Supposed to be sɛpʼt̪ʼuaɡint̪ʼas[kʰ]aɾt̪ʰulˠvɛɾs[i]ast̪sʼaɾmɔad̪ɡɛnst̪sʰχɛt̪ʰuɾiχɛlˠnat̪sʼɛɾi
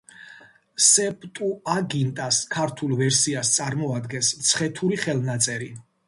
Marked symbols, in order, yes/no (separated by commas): yes, yes